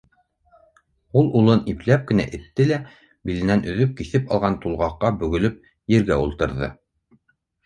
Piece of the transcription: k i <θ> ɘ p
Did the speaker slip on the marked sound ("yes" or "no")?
no